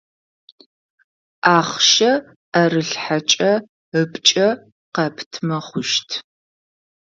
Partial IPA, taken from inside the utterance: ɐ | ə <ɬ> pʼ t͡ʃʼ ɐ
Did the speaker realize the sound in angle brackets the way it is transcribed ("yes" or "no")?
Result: no